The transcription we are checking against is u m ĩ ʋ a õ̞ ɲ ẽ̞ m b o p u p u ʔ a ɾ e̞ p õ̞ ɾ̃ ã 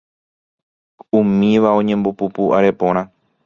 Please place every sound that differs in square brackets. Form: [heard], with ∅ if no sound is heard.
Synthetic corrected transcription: u m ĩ ʋ a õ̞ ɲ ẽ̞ m b o p u p u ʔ a ɾ e̞ p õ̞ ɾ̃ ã